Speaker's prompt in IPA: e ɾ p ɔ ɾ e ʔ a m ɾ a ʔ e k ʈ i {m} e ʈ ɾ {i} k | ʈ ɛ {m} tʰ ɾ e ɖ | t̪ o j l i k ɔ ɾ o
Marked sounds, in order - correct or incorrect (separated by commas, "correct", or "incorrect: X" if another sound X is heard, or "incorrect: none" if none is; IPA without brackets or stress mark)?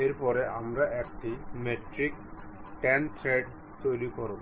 correct, correct, incorrect: n